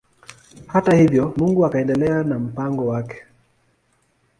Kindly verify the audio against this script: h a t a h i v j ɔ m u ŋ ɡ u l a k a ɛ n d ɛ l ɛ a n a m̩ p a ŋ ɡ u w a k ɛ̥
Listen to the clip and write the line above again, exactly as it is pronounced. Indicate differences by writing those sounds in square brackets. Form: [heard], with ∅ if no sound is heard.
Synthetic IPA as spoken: h a t a h i v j ɔ m u ŋ ɡ u [∅] a k a ɛ n d ɛ l ɛ a n a m̩ p a ŋ ɡ [ɔ] w a k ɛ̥